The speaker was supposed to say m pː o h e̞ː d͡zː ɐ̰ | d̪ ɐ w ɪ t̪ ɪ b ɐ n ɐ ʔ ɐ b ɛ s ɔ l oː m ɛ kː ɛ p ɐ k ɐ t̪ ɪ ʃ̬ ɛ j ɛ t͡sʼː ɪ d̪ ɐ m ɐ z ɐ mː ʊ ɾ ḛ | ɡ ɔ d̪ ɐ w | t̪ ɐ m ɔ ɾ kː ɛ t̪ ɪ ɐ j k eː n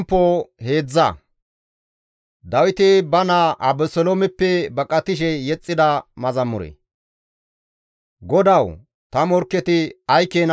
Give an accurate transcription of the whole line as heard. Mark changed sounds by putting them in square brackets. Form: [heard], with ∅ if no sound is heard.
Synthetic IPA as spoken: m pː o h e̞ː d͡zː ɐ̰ | d̪ ɐ w ɪ t̪ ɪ b ɐ n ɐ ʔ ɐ b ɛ s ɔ l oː m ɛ [pː] ɛ [b] ɐ [kʼ] ɐ t̪ ɪ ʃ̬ ɛ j ɛ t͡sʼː ɪ d̪ ɐ m ɐ z ɐ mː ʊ ɾ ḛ | ɡ ɔ d̪ ɐ w | t̪ ɐ m ɔ ɾ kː ɛ t̪ ɪ ɐ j k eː n

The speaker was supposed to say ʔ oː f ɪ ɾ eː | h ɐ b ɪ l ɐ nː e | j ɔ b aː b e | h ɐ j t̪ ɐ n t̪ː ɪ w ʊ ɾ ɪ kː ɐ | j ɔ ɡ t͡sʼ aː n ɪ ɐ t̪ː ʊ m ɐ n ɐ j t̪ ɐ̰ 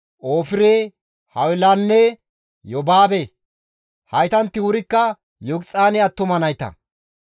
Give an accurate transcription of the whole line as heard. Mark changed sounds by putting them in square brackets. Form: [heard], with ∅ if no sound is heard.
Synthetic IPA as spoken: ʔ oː f ɪ ɾ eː | h ɐ [w] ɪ l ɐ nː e | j ɔ b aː b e | h ɐ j t̪ ɐ n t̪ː ɪ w ʊ ɾ ɪ kː ɐ | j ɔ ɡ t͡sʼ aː n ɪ ɐ t̪ː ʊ m ɐ n ɐ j t̪ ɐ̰

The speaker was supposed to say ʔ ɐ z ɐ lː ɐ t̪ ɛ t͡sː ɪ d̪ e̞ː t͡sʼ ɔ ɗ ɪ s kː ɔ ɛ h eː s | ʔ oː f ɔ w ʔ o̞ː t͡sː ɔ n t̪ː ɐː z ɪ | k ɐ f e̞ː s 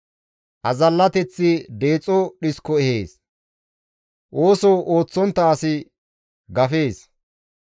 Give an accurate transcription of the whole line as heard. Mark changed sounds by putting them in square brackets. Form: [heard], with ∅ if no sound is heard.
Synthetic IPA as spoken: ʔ ɐ z ɐ lː ɐ t̪ ɛ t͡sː ɪ d̪ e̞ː t͡sʼ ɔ ɗ ɪ s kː ɔ ɛ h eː s | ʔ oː [s] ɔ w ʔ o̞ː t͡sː ɔ n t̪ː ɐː [s] ɪ | [ɡ] ɐ f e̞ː s

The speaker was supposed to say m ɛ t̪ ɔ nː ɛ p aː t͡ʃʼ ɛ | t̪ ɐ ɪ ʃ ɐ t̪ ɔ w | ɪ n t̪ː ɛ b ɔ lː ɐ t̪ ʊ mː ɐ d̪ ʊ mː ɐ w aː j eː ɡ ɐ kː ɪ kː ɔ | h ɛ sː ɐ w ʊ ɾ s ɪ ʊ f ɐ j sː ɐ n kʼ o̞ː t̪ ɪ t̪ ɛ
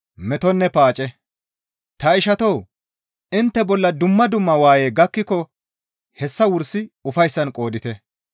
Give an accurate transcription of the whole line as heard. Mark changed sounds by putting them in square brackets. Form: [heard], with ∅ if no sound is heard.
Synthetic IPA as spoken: m ɛ t̪ ɔ nː ɛ p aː t͡ʃʼ ɛ | t̪ ɐ ɪ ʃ ɐ t̪ ɔ w | ɪ n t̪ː ɛ b ɔ lː ɐ [d̪] ʊ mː ɐ d̪ ʊ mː ɐ w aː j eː ɡ ɐ kː ɪ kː ɔ | h ɛ sː ɐ w ʊ ɾ s ɪ ʊ f ɐ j sː ɐ n kʼ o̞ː [d̪] ɪ t̪ ɛ

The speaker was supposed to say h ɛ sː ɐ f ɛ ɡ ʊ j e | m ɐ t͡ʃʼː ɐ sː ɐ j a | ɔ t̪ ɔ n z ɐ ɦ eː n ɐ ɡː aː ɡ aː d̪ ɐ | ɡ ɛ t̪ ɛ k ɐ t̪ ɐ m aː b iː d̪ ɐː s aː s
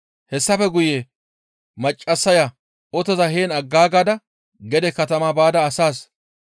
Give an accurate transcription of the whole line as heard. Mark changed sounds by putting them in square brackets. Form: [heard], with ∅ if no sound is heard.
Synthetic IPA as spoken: h ɛ sː ɐ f ɛ ɡ ʊ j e | m ɐ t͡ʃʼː ɐ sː ɐ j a | ɔ t̪ ɔ [∅] z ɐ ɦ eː n ɐ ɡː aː ɡ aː d̪ ɐ | ɡ ɛ [d̪] ɛ k ɐ t̪ ɐ m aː b [aː] d̪ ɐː s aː s

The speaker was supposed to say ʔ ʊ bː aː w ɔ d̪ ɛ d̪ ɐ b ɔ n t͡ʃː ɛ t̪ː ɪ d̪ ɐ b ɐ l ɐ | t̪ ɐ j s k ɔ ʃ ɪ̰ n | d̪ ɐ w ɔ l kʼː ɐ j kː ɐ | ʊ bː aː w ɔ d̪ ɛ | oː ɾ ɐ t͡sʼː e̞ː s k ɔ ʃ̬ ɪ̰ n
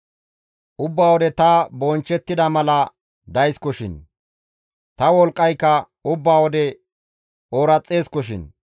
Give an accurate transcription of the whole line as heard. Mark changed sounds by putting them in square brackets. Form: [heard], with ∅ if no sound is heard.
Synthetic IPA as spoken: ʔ ʊ bː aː w ɔ d̪ ɛ [t̪] ɐ b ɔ n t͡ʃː ɛ t̪ː ɪ d̪ ɐ [m] ɐ l ɐ | [d̪] ɐ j s k ɔ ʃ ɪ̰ n | [t̪] ɐ w ɔ l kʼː ɐ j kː ɐ | ʊ bː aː w ɔ d̪ ɛ | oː ɾ ɐ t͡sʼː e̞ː s k ɔ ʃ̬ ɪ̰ n

